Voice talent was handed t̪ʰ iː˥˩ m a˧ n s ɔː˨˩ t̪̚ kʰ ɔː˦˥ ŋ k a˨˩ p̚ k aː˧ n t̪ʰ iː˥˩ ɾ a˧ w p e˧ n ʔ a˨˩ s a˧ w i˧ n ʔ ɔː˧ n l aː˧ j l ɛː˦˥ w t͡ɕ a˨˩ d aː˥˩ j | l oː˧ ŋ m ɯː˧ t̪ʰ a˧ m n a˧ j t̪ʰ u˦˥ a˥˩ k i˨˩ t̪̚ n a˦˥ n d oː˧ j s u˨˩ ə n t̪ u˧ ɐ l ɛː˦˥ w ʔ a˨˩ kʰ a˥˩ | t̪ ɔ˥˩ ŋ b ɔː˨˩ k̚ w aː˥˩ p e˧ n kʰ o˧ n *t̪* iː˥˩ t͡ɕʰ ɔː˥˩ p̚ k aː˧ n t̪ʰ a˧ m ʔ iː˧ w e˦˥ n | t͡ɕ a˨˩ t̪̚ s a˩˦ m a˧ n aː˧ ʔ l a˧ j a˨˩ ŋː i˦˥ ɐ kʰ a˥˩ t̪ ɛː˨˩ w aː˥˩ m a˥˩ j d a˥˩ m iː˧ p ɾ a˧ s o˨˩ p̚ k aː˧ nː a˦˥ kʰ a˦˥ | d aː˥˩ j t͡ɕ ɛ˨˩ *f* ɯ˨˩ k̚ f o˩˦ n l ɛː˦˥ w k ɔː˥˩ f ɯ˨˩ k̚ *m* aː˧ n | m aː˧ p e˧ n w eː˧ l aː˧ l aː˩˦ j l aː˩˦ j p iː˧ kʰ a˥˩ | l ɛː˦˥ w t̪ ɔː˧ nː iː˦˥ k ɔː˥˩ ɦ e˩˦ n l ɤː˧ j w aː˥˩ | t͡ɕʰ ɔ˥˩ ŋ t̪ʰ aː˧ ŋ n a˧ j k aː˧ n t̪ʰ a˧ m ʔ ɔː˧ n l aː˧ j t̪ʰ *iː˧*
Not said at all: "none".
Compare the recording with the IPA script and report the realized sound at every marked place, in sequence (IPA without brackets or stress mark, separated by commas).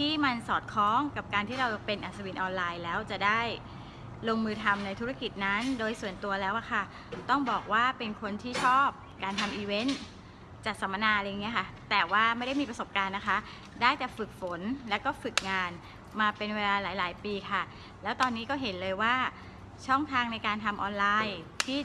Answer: t̪ʰ, f, ŋ, iː˥˩